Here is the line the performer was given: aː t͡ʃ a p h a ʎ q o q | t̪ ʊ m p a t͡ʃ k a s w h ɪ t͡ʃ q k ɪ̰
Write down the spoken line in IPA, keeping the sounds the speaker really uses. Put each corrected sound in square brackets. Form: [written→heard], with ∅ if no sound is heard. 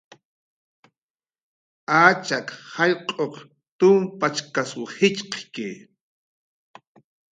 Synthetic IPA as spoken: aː t͡ʃ a [p→k] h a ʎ [q→qʼ] o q | t̪ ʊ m p a t͡ʃ k a s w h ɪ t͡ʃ q k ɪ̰